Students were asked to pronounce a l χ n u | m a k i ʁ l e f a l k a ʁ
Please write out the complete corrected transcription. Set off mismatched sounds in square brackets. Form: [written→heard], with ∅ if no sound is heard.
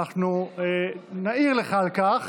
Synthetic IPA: a [l→∅] χ n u | [m→n] a [k→∅] i ʁ l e [f→χ] a l k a [ʁ→χ]

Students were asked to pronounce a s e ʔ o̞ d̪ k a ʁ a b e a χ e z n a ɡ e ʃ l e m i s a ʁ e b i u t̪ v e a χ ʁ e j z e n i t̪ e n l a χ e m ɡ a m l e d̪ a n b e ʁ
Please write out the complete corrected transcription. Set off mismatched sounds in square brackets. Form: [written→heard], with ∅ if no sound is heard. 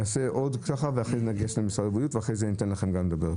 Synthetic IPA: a s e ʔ o̞ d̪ k a [ʁ→χ] a [b→v] e a χ e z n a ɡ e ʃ l e m i s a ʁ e b i u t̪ v e a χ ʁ e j z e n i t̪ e n l a χ e m ɡ a m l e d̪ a [n→∅] b e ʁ

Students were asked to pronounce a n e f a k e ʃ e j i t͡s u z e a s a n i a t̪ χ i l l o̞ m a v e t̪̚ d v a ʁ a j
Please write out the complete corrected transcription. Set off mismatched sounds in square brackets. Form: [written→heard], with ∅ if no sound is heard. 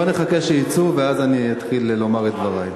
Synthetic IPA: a n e [f→χ] a k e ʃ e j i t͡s u [z→v] e a [s→z] a n i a t̪ χ i l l o̞ m a [v→ʁ] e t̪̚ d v a ʁ a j

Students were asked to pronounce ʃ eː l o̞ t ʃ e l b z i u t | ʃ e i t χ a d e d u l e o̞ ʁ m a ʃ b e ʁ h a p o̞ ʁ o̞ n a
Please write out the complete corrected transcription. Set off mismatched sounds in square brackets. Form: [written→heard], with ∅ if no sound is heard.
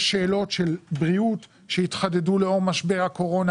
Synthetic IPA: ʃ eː l o̞ t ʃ e l b [z→ʁ] i u t | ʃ e i t χ a d e d u l e o̞ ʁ m a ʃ b e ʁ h a [p→k] o̞ ʁ o̞ n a

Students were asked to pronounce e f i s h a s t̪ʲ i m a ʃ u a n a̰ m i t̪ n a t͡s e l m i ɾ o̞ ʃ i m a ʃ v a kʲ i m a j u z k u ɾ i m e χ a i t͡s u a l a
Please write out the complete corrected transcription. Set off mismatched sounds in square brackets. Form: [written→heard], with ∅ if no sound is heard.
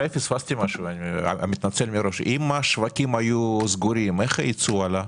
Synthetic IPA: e f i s [h→f] a s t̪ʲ i m a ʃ u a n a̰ m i t̪ n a t͡s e l m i ɾ o̞ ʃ i m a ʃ v a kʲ i m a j u z [k→ɡ] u ɾ i m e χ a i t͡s u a l a

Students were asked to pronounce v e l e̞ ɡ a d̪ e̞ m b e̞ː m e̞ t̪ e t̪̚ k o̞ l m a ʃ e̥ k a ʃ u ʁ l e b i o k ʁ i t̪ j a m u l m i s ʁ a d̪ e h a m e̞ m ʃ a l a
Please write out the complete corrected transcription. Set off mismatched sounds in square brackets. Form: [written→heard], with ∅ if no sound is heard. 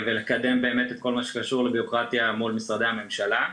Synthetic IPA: v e l e̞ [ɡ→k] a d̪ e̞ m b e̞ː m e̞ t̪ e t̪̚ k o̞ l m a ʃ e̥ k a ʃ u ʁ l e b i o k ʁ [i→a] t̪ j a m u l m i s ʁ a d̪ e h a m e̞ m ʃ a l a

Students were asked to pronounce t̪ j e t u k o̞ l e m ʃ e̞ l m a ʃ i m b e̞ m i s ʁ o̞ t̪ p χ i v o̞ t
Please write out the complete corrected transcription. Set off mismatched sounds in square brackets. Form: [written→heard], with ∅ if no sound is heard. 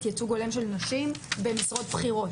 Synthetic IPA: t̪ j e [t→t͡s] u [k→ɡ] o̞ l e m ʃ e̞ l [m→n] a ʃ i m b e̞ m i s ʁ o̞ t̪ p χ i [v→ʁ] o̞ t

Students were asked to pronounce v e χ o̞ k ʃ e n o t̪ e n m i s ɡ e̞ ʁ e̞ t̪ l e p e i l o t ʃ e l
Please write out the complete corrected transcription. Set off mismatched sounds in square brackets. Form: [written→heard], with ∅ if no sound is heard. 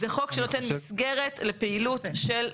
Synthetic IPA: [v→z] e χ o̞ k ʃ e n o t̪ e n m i s ɡ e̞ ʁ e̞ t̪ l e p e i l [o→u] t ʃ e l

